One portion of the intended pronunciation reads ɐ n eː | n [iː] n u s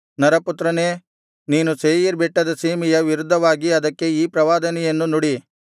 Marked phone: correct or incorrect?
correct